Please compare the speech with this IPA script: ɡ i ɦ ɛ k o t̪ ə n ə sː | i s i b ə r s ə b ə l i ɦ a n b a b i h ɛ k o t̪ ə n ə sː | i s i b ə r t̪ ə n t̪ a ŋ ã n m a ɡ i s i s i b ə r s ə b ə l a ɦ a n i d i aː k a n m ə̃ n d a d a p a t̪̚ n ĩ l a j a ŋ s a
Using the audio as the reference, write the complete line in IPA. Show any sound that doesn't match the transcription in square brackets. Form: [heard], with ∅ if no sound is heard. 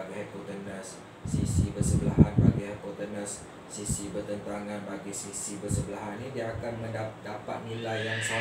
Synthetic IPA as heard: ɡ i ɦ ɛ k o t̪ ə n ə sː | i s i b ə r s ə b ə l [a] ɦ a n b a [ɡ] i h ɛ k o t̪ ə n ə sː | i s i b ə r t̪ ə n t̪ a ŋ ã n [b] a ɡ i s i s i b ə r s ə b ə l a ɦ a n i d i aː k a n m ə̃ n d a d a p a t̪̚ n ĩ l a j a ŋ s a

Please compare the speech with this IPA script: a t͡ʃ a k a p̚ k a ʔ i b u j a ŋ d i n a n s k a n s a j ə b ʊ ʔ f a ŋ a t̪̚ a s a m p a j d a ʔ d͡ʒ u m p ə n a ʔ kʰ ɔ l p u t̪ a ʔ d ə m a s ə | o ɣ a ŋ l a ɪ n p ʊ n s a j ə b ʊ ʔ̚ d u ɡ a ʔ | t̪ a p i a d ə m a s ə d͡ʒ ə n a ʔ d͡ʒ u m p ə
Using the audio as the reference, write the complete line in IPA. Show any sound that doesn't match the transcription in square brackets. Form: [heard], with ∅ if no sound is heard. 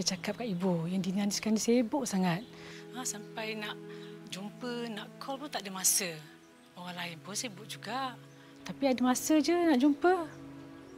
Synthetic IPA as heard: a t͡ʃ a k a p̚ k a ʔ i b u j a ŋ d i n a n s k a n s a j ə b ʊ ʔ [s] a ŋ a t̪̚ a s a m p a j [n] a ʔ d͡ʒ u m p ə n a ʔ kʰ ɔ l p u t̪ a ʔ d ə m a s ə | o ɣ a ŋ l a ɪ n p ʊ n s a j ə b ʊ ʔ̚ [d͡ʒ] u ɡ a ʔ | t̪ a p i a d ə m a s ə d͡ʒ ə n a ʔ d͡ʒ u m p ə

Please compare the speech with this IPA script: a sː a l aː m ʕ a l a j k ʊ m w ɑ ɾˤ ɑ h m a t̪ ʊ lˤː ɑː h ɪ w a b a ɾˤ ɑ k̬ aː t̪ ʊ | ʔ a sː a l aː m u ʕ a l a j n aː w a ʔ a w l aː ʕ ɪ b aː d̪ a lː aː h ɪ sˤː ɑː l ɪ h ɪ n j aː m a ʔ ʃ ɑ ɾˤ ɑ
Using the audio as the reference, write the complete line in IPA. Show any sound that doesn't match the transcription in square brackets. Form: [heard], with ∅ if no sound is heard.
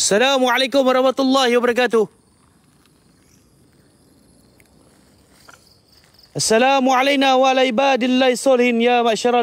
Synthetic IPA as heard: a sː a l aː m ʕ a l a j k ʊ m w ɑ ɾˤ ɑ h m a t̪ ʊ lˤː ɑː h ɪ w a b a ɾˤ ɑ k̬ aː t̪ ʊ | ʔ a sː a l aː m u ʕ a l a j n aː w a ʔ a [∅] l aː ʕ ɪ b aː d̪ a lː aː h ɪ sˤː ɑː l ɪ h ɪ n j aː m a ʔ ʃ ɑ ɾˤ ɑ

